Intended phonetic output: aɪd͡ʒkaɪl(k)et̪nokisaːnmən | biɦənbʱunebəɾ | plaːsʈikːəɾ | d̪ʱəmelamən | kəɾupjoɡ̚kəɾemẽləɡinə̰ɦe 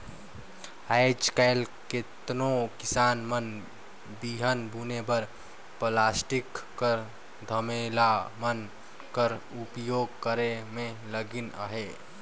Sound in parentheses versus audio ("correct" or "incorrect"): correct